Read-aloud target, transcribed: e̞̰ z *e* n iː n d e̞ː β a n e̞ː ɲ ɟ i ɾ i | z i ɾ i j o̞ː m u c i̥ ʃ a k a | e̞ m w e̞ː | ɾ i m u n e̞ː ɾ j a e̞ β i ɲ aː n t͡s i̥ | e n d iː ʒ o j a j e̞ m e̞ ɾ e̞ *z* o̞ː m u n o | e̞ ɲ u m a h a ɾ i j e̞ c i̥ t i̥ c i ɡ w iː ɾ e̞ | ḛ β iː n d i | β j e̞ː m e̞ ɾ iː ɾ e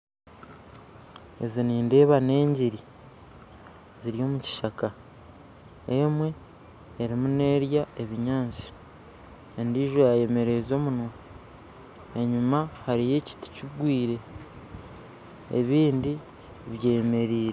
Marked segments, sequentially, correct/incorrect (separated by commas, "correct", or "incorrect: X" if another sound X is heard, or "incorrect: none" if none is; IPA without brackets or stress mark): incorrect: i, correct